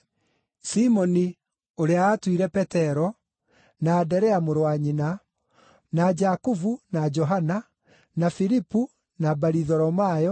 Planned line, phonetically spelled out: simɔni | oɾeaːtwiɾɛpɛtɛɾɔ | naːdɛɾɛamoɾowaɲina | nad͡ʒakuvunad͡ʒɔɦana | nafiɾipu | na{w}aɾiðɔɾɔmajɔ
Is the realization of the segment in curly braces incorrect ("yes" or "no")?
yes